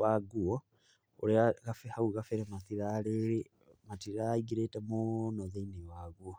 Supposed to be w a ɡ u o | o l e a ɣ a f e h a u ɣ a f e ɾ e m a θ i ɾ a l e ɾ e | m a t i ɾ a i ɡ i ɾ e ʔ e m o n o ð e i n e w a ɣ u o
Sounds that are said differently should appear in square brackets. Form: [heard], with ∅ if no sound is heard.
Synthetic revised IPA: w a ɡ u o | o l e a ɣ a f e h a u ɣ a f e ɾ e m a θ i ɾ a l e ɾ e | m a t i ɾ a i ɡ i ɾ e [t] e m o n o ð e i n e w a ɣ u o